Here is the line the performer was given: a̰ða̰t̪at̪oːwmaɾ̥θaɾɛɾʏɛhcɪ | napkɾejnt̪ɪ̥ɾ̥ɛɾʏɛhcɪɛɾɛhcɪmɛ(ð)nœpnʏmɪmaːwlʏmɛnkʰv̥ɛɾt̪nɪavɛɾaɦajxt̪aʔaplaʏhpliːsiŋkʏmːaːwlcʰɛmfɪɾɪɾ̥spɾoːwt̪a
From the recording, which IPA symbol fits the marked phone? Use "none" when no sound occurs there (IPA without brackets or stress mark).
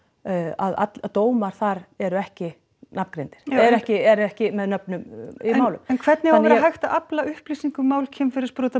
ð